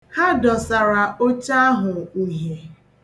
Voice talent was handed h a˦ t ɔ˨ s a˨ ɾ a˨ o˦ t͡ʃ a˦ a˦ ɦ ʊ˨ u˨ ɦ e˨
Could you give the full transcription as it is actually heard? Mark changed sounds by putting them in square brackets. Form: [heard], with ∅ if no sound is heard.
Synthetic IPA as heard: h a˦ [d] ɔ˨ s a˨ ɾ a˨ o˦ t͡ʃ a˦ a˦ ɦ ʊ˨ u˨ ɦ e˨